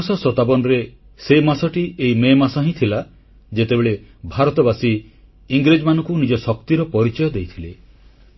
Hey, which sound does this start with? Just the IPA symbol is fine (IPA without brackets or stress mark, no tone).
s